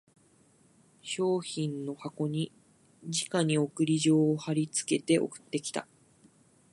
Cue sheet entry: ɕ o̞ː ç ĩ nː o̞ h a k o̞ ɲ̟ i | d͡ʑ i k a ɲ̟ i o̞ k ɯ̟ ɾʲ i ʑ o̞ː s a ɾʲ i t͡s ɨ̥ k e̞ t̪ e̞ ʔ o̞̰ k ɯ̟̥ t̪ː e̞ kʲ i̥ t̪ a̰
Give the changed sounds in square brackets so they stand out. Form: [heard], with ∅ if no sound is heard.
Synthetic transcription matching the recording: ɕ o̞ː ç ĩ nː o̞ h a k o̞ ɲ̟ i | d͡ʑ i k a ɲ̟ i o̞ k ɯ̟ ɾʲ i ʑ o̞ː [h] a ɾʲ i t͡s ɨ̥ k e̞ t̪ e̞ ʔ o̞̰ k ɯ̟̥ t̪ː e̞ kʲ i̥ t̪ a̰